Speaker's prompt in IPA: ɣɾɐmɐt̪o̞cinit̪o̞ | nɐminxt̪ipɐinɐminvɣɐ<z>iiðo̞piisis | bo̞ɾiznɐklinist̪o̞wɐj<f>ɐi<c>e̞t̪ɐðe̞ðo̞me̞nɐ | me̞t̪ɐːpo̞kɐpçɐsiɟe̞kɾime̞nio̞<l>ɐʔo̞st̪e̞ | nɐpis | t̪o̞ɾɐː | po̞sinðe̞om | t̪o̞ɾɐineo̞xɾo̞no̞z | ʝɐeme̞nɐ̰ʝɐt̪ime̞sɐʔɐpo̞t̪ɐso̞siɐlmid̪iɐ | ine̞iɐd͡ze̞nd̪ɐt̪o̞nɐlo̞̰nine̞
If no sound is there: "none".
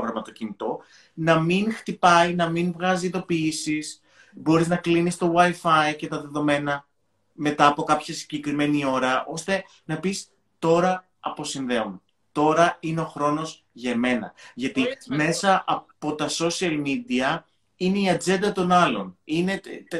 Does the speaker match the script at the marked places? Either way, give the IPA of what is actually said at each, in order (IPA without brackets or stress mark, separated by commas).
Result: z, f, c, ɾ